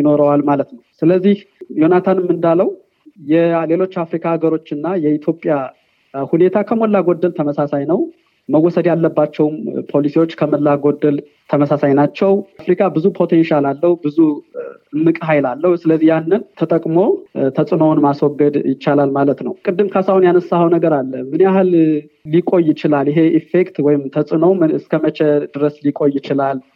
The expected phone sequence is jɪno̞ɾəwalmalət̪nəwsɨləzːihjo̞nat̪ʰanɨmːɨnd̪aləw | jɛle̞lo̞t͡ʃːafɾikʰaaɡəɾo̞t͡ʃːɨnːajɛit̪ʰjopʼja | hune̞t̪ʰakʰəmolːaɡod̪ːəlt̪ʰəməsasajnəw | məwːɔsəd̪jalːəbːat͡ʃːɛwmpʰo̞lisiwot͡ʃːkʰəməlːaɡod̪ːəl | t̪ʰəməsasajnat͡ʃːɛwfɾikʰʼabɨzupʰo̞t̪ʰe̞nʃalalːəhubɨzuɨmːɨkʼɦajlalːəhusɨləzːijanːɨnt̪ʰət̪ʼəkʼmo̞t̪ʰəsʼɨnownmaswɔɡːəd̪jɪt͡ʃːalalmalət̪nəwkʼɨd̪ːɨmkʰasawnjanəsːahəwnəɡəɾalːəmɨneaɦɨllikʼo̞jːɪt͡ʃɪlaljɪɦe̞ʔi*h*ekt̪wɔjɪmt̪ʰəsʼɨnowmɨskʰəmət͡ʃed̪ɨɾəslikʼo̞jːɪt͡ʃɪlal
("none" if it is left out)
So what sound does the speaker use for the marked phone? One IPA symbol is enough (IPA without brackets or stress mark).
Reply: f